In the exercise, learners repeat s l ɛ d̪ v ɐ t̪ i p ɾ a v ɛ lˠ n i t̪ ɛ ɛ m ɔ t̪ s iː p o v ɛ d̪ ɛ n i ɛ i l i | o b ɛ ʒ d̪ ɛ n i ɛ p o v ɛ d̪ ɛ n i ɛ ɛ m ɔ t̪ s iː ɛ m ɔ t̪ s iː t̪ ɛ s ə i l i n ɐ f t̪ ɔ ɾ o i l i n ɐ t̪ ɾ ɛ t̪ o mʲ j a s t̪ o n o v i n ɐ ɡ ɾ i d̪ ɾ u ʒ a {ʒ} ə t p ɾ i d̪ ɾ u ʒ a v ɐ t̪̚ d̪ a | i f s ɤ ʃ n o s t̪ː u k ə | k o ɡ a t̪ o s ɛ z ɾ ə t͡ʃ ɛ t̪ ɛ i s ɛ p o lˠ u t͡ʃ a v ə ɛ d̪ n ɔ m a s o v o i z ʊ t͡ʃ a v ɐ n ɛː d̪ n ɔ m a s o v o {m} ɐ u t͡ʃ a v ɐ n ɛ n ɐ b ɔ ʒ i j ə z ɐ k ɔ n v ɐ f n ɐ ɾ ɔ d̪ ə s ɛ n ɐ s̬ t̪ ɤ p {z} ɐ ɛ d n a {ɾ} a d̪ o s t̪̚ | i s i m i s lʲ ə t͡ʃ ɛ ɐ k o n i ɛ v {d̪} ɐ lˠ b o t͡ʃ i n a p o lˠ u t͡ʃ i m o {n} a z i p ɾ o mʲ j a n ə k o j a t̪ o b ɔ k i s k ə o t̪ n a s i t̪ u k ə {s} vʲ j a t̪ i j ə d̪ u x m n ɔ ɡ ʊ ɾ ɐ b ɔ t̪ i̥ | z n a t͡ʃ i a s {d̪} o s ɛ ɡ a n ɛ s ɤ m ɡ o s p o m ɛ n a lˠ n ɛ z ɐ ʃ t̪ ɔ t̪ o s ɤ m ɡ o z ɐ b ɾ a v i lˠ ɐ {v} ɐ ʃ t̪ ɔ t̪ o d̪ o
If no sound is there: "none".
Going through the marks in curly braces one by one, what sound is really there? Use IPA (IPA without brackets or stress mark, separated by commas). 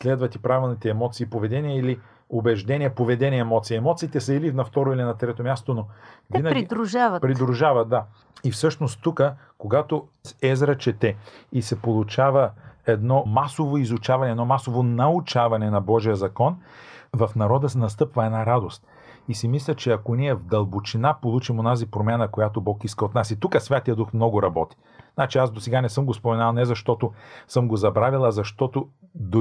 v, n, v, ɾ, d̪, n, s, d̪, z